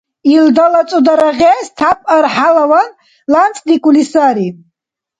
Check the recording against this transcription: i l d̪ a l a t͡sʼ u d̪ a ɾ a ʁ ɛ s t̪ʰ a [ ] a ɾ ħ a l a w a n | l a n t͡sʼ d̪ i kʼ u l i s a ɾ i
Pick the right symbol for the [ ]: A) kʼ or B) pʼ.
B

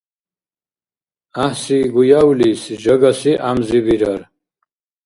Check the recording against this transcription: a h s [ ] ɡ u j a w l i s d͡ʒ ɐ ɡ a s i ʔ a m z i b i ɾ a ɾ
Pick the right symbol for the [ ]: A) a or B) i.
B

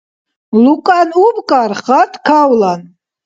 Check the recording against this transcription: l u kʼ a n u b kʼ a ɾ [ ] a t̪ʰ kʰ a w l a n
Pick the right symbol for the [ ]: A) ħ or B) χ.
B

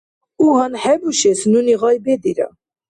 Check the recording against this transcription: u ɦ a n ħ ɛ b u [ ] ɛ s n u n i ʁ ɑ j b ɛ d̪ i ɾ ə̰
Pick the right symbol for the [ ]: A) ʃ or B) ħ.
A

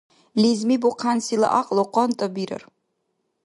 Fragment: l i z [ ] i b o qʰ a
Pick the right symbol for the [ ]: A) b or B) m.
B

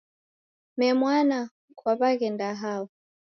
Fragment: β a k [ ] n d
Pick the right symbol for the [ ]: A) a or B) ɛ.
B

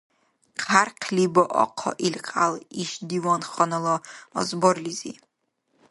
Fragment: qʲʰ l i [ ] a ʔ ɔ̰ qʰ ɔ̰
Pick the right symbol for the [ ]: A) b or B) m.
A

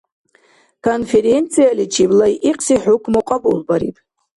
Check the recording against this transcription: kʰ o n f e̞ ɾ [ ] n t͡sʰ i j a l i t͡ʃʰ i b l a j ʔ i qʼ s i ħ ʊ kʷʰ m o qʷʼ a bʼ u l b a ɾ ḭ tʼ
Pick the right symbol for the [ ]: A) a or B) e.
B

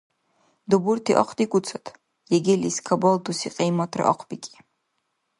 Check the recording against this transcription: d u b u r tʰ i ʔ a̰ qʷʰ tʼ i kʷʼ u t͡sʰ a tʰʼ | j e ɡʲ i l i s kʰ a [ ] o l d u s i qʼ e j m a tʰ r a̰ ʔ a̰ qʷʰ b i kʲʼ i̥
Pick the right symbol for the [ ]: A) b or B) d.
A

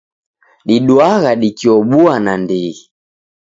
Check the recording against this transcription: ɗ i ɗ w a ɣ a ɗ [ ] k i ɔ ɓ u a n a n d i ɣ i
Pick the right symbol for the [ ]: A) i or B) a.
A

